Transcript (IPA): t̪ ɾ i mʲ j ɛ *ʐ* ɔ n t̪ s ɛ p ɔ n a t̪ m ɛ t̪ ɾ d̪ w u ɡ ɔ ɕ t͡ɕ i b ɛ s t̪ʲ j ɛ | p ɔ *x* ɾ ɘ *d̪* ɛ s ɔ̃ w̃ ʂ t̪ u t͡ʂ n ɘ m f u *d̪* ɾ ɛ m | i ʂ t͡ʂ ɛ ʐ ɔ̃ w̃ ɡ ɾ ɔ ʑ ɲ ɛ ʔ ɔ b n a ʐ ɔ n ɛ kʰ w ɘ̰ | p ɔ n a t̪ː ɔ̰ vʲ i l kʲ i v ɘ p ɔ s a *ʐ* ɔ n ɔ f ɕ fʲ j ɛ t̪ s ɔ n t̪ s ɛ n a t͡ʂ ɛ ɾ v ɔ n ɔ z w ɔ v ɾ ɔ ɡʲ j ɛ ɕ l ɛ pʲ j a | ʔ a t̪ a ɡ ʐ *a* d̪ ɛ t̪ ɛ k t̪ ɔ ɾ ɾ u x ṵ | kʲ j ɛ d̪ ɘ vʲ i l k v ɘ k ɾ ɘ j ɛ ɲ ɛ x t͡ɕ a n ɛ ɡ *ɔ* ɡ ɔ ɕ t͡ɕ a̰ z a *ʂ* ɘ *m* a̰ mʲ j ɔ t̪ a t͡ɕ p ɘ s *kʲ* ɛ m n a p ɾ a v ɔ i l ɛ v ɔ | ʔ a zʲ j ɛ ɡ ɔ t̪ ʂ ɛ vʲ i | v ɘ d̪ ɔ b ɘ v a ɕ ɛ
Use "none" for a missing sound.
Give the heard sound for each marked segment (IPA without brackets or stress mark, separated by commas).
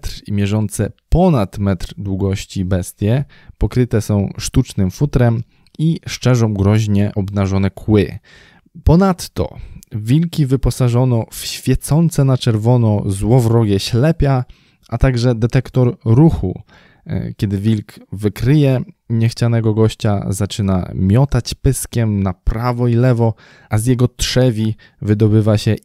ʐ, k, t̪, t̪, ʐ, ɛ, ɔ, t͡ʂ, n, kʲ